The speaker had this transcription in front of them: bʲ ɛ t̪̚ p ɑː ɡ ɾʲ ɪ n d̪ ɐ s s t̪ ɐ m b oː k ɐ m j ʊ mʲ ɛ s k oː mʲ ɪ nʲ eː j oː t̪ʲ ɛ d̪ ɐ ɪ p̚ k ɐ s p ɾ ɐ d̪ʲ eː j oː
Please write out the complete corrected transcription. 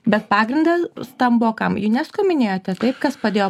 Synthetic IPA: bʲ ɛ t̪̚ p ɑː ɡ ɾʲ ɪ n d̪ ɐ s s t̪ ɐ m b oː k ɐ m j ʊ nʲ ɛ s k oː mʲ ɪ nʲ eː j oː t̪ʲ ɛ t̪ ɐ ɪ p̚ k ɐ s p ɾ ɐ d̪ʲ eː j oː